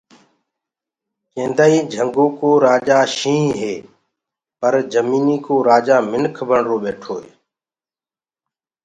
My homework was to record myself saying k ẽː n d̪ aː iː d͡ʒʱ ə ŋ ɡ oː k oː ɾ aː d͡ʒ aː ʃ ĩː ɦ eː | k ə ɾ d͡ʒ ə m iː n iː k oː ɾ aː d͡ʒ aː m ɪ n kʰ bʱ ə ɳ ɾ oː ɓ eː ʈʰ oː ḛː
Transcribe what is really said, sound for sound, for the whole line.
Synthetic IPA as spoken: k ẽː n d̪ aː iː d͡ʒʱ ə ŋ ɡ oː k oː ɾ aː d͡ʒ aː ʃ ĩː ɦ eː | p ə ɾ d͡ʒ ə m iː n iː k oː ɾ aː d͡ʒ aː m ɪ n kʰ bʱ ə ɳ ɾ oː ɓ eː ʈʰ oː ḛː